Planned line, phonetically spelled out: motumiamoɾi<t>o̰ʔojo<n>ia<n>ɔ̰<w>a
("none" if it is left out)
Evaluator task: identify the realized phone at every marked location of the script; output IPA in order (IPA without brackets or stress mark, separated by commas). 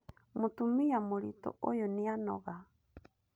t, n, n, ɣ